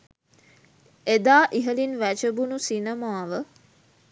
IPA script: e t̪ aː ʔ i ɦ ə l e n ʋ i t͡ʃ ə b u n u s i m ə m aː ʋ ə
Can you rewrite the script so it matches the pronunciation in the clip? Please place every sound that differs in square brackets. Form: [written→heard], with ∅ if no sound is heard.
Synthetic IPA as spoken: e [t̪→d̪] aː ʔ i ɦ ə l [e→i] n ʋ [i→æ] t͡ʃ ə b u n u s i [m→n] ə m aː ʋ ə